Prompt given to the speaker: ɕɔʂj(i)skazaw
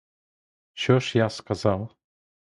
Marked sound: incorrect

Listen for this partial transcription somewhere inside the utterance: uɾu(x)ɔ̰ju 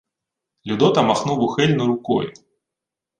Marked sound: incorrect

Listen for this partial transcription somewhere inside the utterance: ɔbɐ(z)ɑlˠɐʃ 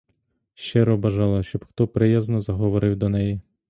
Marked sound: incorrect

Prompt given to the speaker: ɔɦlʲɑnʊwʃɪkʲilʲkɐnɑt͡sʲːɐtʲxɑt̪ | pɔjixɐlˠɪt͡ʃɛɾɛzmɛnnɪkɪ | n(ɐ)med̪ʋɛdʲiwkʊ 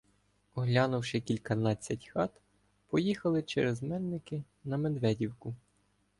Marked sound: correct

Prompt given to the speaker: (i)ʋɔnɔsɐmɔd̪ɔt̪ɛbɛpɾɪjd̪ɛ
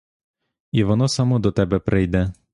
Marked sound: correct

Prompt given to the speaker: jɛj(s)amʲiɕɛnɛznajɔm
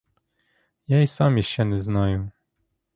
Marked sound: correct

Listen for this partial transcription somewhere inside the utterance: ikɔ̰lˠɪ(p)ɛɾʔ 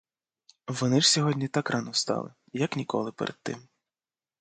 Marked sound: correct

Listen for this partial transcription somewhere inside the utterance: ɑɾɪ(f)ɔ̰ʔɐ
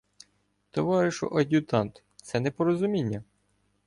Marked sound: incorrect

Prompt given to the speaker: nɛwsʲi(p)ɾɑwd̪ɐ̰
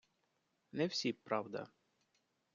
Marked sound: correct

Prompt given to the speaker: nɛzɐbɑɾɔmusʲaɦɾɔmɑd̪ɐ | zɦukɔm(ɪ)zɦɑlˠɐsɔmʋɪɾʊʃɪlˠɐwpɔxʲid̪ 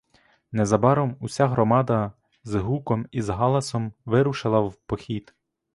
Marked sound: incorrect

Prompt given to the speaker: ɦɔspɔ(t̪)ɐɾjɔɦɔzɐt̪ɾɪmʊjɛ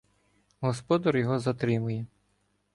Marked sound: incorrect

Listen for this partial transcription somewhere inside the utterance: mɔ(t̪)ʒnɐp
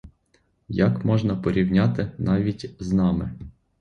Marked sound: incorrect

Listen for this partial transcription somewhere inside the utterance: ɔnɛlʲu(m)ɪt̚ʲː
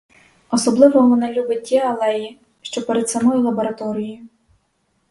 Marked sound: incorrect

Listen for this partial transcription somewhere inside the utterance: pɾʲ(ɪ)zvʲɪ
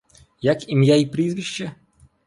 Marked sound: incorrect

